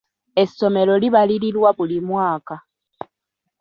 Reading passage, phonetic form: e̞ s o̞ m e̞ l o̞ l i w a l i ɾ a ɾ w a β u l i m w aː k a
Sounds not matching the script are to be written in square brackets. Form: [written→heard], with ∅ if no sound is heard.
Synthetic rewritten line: e̞ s o̞ m e̞ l o̞ l i [w→β] a l i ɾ [a→i] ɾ w a β u l i m w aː k a